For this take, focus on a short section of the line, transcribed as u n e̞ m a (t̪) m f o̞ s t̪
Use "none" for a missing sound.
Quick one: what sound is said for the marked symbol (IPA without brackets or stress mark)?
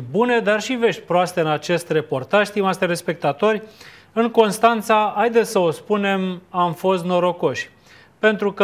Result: none